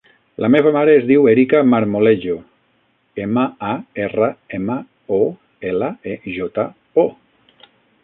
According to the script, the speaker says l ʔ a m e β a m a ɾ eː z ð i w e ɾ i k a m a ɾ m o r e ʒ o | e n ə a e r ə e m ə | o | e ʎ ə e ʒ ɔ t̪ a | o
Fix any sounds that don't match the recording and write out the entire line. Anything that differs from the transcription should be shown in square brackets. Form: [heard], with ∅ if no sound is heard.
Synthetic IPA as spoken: l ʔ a m e β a m a ɾ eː z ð i w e ɾ i k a m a ɾ m o [l] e ʒ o | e [m] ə a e r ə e m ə | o | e [l] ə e ʒ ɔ t̪ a | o